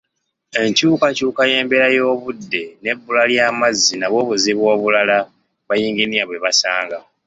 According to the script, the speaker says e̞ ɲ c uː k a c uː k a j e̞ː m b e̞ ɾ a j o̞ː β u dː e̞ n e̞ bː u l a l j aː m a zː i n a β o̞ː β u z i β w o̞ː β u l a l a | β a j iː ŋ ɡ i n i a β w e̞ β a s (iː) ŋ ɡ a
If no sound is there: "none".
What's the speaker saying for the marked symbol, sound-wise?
aː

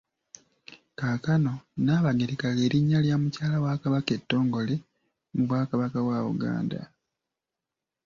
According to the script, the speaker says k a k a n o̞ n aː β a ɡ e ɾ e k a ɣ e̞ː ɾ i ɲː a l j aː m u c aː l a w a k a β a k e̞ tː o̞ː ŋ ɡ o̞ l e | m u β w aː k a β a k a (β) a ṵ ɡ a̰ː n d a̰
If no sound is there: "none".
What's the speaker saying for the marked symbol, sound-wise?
w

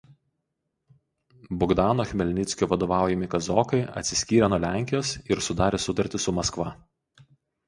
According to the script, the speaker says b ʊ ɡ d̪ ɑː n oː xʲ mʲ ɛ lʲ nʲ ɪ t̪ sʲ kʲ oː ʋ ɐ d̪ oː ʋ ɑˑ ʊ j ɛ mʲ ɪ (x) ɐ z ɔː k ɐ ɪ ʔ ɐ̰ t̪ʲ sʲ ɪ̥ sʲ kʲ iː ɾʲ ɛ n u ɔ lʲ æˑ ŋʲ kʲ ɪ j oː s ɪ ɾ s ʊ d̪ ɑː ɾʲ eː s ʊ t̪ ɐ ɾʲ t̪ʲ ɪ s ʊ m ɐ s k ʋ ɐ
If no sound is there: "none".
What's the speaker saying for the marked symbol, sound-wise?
k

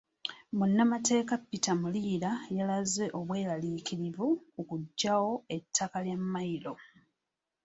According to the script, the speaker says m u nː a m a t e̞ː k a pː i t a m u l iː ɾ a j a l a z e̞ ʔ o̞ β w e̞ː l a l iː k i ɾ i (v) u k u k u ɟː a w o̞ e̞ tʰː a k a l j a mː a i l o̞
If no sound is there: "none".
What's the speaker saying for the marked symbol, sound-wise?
v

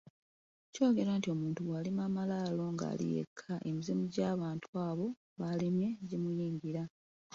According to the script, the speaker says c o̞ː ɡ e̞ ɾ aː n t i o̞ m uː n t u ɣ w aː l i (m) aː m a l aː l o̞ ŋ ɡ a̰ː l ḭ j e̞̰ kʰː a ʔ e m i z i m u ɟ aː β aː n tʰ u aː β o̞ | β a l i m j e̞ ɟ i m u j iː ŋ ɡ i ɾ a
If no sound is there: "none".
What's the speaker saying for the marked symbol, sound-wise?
m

